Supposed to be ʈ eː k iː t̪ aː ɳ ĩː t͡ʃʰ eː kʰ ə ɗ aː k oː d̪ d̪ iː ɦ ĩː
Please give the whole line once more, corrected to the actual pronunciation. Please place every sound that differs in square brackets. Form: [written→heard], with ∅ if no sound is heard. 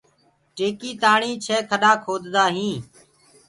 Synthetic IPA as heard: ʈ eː k iː t̪ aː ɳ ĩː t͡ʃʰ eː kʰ ə ɗ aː [k→kʰ] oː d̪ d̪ [iː→aː] ɦ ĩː